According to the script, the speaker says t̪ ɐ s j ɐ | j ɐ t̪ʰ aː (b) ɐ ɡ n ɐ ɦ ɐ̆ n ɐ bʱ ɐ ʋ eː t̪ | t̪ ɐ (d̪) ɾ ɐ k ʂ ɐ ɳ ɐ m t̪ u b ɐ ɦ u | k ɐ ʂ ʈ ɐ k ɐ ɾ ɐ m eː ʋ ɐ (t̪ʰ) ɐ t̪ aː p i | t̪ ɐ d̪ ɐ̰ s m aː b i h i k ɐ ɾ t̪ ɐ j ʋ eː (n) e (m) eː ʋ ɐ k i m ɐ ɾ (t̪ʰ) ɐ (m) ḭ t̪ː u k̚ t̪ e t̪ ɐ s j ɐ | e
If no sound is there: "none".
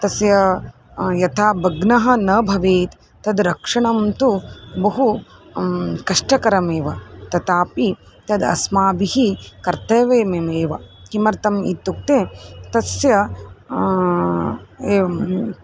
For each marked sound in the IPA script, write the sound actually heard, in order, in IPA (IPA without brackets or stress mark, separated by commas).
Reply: b, d̪, t̪, m, m, t̪, m